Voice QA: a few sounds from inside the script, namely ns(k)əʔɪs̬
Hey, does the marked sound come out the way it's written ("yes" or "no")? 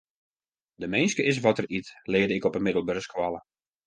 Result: yes